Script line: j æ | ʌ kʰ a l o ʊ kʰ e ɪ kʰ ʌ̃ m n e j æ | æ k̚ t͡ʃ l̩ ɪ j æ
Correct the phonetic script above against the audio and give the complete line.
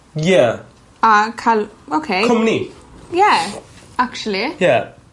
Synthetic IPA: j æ | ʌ kʰ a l o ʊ kʰ e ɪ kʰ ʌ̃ m n i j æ | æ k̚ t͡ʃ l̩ i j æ